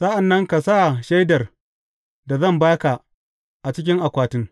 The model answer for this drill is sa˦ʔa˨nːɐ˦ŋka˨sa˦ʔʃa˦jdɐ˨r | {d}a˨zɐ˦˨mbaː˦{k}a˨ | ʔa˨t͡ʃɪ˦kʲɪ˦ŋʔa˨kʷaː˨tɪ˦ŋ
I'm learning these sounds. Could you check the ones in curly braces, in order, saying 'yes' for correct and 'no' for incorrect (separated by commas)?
yes, yes